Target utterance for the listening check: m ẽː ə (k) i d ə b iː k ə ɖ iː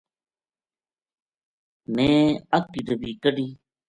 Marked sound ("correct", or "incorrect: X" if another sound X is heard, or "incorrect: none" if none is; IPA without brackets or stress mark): correct